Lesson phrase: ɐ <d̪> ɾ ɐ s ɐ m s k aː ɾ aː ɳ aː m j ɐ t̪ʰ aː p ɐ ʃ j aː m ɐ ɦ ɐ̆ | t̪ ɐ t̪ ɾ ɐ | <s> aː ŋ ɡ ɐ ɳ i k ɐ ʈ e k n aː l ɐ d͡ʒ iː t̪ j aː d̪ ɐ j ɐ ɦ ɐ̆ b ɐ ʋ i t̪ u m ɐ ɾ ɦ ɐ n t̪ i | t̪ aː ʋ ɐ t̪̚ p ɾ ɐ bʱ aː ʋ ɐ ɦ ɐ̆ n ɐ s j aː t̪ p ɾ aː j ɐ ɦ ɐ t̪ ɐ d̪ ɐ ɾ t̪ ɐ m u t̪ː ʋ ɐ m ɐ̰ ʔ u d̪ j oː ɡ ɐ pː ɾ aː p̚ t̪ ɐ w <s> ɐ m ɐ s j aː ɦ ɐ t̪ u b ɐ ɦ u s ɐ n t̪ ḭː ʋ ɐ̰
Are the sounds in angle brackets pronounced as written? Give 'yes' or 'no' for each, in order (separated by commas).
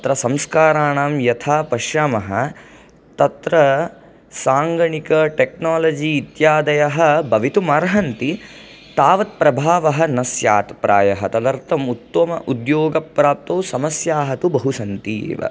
no, yes, yes